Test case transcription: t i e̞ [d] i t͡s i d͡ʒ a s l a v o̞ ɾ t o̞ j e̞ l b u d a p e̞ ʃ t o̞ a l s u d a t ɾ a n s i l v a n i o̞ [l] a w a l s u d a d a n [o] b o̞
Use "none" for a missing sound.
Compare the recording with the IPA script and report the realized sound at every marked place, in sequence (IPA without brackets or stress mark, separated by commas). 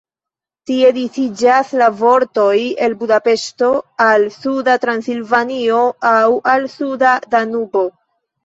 d, none, u